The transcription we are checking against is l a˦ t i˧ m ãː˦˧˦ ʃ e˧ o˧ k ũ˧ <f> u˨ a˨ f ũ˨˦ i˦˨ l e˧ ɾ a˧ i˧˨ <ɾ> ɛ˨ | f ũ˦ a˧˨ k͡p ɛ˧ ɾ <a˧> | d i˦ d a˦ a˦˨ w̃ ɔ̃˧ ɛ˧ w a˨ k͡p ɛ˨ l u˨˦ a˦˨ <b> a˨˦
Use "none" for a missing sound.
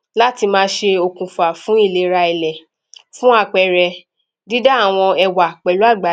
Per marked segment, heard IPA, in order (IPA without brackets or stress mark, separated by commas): f, l, ɛ˧, ɡ͡b